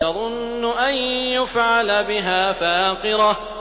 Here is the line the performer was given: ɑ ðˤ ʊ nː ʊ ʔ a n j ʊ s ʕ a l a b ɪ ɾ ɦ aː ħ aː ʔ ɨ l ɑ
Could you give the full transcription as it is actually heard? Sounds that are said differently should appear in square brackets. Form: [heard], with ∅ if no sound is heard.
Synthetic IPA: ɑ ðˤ ʊ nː ʊ ʔ a n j ʊ [f] ʕ a l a b ɪ [∅] ɦ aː [f] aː [q] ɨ [ɾ] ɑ